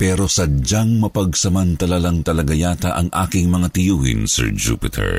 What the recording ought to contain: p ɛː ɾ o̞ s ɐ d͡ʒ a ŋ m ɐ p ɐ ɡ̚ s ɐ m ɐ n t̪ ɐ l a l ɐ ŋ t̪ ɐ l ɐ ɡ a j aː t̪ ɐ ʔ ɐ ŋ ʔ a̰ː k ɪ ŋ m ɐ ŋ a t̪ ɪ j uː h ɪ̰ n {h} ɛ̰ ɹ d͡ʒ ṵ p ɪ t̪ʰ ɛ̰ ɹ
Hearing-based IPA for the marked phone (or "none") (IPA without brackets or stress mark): s